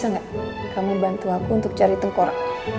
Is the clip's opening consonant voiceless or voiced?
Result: voiced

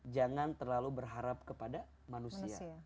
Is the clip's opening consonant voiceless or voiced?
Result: voiced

